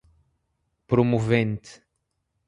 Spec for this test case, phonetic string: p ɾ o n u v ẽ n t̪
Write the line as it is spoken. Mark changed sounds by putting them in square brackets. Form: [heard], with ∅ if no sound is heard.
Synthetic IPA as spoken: p ɾ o [m] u v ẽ n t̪